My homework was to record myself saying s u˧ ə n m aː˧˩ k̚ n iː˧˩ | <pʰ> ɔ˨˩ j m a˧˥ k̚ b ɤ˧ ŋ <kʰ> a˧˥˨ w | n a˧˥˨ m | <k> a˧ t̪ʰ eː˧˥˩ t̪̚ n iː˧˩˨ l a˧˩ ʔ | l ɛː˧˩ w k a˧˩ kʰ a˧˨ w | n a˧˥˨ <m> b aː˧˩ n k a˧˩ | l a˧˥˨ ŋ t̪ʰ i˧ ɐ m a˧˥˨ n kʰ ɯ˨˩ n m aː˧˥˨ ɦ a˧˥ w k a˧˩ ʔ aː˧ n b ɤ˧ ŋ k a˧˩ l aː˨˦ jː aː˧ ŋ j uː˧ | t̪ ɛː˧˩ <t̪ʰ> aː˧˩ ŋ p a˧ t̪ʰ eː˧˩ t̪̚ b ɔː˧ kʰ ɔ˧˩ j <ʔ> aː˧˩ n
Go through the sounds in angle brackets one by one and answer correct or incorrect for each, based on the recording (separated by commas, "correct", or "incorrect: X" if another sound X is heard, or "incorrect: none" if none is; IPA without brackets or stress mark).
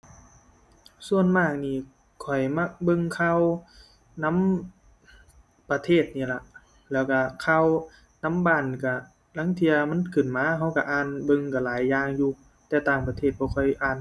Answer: incorrect: kʰ, correct, incorrect: p, correct, incorrect: t̪, correct